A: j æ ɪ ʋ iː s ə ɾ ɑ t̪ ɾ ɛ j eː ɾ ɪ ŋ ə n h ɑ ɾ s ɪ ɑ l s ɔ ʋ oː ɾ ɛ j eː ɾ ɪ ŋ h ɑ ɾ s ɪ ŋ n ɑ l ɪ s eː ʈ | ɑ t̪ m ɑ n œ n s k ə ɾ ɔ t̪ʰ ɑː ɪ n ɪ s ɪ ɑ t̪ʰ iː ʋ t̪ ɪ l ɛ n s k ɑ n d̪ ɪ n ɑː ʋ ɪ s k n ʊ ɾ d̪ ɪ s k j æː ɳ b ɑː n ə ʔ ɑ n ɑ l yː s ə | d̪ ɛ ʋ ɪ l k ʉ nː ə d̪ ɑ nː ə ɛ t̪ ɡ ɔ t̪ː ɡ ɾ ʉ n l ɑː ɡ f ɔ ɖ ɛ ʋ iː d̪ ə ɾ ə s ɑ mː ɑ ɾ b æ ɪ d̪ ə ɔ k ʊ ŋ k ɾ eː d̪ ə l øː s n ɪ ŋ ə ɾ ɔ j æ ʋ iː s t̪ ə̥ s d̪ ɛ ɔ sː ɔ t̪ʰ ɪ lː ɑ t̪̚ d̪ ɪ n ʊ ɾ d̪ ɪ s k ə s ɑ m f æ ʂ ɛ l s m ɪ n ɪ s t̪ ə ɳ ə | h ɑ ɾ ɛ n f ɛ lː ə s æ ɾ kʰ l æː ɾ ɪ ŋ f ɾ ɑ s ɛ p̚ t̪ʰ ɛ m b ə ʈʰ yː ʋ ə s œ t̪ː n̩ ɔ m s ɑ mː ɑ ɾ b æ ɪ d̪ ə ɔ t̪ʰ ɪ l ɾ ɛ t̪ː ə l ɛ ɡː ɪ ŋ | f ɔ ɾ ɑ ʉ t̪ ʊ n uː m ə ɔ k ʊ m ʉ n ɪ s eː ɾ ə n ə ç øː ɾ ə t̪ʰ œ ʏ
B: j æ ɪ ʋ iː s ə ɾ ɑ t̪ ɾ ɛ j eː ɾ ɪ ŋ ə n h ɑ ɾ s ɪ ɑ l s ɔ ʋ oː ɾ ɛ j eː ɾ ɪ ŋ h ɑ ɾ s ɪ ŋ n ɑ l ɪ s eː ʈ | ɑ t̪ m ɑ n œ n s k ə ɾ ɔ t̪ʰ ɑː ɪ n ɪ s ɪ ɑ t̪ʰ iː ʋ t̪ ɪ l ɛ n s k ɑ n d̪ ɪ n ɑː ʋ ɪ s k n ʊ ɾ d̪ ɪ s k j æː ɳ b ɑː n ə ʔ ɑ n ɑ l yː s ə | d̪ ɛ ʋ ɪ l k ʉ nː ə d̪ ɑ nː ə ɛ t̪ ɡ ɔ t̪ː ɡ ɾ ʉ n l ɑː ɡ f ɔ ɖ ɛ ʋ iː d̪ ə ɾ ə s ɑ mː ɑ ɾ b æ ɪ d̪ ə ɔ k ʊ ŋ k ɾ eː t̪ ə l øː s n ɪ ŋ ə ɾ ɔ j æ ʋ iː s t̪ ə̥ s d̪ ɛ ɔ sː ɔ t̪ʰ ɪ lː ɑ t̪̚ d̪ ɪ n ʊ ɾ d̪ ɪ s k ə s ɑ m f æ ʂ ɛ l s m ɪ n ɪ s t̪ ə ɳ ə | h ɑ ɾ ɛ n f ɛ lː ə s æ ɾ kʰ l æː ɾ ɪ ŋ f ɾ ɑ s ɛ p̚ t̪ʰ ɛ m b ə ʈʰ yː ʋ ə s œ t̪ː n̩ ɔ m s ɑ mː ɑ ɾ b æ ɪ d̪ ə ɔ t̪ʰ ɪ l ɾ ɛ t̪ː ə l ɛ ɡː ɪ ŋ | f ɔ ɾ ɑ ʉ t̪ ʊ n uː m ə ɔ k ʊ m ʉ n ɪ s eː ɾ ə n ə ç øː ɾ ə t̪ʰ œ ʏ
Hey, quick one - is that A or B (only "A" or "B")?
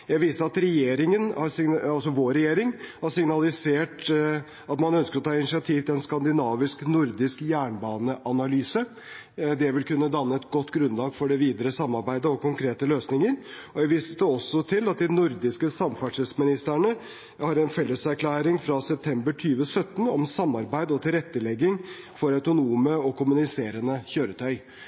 B